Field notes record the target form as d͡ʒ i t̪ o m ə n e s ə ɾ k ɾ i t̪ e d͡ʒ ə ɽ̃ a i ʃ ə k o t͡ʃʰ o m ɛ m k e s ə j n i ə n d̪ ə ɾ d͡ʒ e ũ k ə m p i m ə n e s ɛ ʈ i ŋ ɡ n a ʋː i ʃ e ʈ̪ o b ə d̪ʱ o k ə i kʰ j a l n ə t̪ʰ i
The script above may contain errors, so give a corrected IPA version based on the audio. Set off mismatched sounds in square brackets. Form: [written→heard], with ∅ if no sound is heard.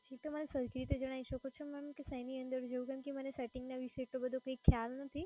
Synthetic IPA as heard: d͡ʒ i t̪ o m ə n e s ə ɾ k ɾ i t̪ e d͡ʒ ə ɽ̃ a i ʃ ə k o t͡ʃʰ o m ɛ m k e s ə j n i ə n d̪ ə ɾ d͡ʒ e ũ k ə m [p→k] i m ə n e s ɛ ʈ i ŋ ɡ n a [ʋː→ʋ] i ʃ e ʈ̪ o b ə d̪ʱ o k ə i kʰ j a l n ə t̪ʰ i